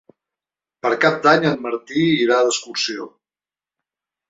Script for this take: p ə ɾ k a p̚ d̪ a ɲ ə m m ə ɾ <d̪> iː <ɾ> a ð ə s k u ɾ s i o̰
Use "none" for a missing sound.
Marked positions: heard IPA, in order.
t̪, ɾ

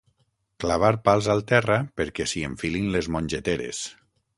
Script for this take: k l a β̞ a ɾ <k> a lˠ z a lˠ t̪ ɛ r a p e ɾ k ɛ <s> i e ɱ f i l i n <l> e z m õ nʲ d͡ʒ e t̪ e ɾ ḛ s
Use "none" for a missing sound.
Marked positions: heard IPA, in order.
p, s, l

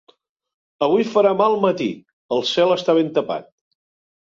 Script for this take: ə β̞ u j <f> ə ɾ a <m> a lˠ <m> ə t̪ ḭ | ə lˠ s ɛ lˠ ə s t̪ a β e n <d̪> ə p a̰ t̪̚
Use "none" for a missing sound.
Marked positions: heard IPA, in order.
f, m, m, t̪

